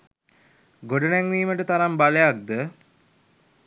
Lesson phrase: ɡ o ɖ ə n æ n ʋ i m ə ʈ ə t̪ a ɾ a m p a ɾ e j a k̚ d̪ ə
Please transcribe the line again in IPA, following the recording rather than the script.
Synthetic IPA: ɡ o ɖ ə n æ ŋ ʋ iː m ə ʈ ə t̪ a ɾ a m b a l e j a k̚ d̪ ə